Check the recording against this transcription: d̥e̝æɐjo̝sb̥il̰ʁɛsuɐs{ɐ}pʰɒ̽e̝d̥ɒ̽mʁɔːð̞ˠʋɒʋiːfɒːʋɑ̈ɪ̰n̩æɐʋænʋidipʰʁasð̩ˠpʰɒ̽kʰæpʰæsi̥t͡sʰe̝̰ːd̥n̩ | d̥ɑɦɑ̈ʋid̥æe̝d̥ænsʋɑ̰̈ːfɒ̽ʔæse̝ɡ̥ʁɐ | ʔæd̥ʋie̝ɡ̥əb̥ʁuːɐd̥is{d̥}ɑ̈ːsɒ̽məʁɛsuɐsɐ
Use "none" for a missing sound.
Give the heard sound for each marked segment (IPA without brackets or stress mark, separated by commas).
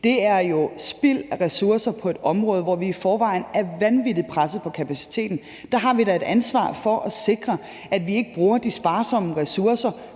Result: ɐ, b̥